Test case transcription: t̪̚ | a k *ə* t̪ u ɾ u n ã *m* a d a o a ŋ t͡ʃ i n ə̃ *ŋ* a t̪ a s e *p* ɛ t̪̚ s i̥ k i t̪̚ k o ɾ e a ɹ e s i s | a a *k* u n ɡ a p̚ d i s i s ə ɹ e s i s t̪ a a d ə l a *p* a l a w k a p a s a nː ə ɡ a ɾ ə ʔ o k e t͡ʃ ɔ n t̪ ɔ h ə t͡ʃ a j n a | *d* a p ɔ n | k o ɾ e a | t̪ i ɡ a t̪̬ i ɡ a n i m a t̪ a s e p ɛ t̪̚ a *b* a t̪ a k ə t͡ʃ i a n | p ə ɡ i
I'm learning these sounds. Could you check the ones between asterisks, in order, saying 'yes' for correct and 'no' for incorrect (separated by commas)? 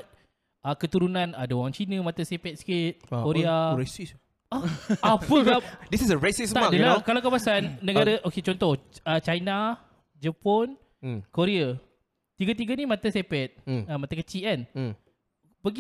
yes, no, no, yes, no, no, no, no